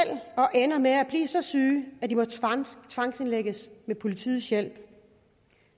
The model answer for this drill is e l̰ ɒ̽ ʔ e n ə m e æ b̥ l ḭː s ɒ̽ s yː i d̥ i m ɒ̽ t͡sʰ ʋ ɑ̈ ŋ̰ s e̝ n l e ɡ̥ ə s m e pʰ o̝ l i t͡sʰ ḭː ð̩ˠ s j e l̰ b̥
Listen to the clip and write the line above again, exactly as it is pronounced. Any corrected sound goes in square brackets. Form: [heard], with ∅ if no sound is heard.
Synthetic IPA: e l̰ ɒ̽ ʔ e n [ɐ] m e æ b̥ l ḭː s ɒ̽ s yː [æ] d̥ i m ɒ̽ t͡sʰ ʋ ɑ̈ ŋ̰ s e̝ n l e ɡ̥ ə s m e pʰ o̝ l i t͡sʰ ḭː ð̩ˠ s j e l̰ b̥